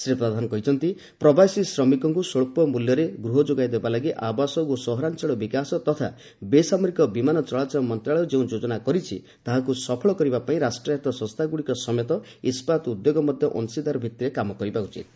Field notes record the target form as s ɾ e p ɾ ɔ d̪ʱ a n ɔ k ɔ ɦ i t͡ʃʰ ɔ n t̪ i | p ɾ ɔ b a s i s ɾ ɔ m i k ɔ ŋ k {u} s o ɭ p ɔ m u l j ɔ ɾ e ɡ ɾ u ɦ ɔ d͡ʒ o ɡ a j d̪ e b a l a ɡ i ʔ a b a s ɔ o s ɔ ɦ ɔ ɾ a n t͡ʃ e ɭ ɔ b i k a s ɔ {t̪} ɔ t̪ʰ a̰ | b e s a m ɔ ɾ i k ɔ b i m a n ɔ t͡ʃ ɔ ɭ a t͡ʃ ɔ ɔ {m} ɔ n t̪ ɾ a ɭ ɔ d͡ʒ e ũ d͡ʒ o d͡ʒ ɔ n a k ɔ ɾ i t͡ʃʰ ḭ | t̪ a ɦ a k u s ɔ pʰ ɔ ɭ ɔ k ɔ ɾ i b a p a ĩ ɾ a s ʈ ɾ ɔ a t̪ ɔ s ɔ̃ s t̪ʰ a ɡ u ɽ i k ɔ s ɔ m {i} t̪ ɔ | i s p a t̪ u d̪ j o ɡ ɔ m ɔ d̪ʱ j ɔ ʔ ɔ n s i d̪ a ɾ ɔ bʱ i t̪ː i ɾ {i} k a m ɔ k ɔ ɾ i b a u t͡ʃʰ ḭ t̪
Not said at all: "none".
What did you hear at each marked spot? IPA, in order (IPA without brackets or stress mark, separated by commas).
u, t̪, m, e, e